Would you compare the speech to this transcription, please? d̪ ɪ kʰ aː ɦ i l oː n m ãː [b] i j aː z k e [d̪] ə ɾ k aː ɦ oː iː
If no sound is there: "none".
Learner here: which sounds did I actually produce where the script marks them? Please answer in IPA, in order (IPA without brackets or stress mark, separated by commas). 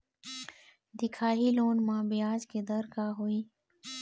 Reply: b, d̪